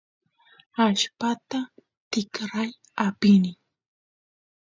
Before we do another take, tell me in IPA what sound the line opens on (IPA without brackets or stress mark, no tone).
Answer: a